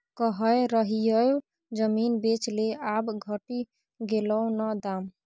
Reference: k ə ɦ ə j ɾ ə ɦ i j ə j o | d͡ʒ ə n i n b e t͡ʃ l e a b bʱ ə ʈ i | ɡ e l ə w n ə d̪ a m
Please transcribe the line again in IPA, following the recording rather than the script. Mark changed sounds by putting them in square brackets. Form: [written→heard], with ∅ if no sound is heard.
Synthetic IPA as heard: k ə ɦ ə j ɾ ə ɦ i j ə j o | d͡ʒ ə [n→m] i n b e t͡ʃ l e a b [bʱ→ɡʱ] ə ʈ i | ɡ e l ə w n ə d̪ a m